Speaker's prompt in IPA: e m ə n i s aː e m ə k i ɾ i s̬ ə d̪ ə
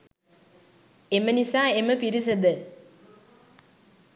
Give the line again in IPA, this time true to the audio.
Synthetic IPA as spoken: e m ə n i s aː e m ə p i ɾ i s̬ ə d̪ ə